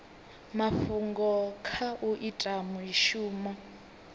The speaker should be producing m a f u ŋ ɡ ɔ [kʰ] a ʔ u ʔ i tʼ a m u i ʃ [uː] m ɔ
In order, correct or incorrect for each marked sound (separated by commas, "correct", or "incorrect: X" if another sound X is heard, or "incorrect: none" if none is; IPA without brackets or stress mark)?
correct, correct